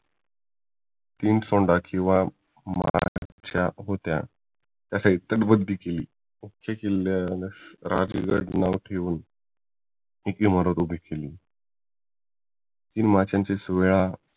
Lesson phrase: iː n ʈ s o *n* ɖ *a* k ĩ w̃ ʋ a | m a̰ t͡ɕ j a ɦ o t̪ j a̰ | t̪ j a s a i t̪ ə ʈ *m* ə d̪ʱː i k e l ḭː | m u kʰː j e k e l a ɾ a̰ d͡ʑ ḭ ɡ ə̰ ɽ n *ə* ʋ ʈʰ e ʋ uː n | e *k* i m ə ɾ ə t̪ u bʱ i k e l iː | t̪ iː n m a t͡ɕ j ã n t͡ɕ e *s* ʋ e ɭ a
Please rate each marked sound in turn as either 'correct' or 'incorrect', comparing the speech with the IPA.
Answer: incorrect, correct, incorrect, incorrect, correct, correct

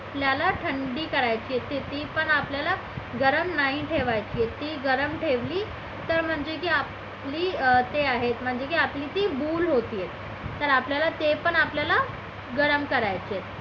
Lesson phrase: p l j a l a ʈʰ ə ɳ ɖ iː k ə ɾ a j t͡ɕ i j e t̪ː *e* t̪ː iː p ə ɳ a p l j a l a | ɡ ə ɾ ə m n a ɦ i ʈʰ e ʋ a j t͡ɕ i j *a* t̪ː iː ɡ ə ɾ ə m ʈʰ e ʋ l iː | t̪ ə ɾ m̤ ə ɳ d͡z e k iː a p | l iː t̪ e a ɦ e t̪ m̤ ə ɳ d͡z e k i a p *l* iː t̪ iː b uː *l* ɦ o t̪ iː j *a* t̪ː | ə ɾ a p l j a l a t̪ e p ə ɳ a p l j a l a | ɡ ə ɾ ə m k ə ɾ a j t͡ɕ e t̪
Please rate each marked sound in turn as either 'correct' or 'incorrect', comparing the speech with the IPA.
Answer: correct, incorrect, correct, correct, incorrect

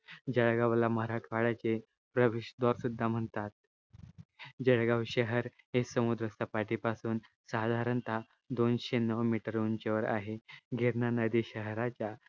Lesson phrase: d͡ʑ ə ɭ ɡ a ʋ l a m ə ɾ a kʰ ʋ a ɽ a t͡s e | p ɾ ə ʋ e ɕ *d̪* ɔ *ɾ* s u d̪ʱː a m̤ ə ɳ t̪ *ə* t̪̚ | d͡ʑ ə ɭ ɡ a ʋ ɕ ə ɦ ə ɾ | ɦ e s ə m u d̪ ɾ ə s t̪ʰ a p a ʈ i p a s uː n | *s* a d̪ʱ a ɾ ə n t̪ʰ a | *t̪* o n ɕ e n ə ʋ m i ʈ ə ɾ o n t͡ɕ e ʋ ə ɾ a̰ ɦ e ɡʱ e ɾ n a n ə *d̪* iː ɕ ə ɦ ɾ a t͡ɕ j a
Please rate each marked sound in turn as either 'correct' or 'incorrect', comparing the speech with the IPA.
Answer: correct, correct, incorrect, correct, incorrect, correct

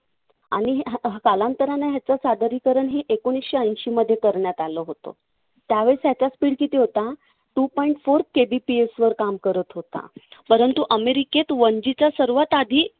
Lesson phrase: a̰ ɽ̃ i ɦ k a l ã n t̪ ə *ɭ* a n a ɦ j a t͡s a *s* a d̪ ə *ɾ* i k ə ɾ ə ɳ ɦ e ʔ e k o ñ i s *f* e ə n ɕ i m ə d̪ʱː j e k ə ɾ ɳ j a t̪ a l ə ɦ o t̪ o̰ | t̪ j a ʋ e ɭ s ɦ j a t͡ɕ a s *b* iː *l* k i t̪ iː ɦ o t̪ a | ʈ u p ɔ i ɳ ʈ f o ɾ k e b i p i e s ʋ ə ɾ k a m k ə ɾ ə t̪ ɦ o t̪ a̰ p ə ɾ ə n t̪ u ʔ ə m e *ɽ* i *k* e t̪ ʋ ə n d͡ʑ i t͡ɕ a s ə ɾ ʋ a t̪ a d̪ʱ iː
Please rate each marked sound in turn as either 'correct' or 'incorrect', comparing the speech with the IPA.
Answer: incorrect, correct, correct, incorrect, incorrect, incorrect, incorrect, correct

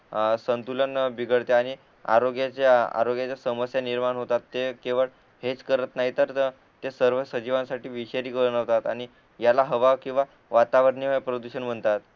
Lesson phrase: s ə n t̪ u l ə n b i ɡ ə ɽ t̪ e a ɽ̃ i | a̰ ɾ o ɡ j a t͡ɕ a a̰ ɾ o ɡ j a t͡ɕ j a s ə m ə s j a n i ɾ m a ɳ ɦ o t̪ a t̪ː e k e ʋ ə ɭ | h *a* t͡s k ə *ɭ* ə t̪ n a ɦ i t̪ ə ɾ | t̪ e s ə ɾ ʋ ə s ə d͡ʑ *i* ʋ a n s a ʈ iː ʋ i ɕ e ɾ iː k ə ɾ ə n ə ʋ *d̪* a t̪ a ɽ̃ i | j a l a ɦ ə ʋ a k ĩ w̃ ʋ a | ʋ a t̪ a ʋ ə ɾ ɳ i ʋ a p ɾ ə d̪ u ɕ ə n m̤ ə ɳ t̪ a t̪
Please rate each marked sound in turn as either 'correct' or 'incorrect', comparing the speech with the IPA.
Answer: incorrect, incorrect, correct, incorrect

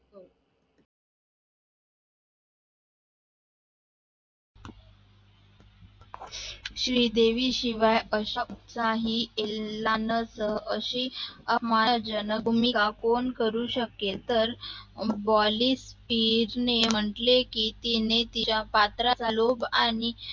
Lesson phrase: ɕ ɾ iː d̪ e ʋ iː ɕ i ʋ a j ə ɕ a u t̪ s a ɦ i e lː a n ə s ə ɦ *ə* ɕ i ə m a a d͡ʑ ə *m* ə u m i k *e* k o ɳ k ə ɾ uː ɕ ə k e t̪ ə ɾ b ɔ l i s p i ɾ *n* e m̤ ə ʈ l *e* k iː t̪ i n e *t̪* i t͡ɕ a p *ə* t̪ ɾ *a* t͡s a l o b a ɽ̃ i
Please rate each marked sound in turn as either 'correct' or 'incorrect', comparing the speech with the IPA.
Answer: correct, incorrect, incorrect, correct, correct, correct, incorrect, correct

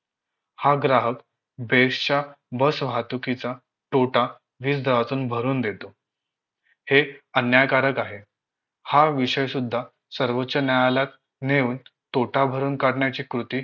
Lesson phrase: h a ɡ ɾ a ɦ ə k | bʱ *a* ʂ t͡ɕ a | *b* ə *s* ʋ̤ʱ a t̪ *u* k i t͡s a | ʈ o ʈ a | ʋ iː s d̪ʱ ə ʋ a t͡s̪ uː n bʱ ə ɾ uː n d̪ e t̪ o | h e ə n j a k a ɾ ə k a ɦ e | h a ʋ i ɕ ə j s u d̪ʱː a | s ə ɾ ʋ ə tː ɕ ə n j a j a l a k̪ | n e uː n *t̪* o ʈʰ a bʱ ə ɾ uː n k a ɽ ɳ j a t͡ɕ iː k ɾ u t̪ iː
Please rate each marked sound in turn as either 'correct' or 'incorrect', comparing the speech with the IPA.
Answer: incorrect, correct, correct, correct, correct

